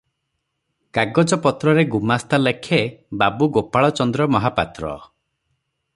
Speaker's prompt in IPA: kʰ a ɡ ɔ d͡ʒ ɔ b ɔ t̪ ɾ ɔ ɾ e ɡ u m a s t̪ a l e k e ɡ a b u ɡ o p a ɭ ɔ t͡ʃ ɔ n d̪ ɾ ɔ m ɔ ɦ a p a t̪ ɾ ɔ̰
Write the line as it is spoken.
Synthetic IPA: k a ɡ ɔ d͡ʒ ɔ p ɔ t̪ ɾ ɔ ɾ e ɡ u m a s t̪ a l e kʰ e b a b u ɡ o p a ɭ ɔ t͡ʃ ɔ n d̪ ɾ ɔ m ɔ ɦ a p a t̪ ɾ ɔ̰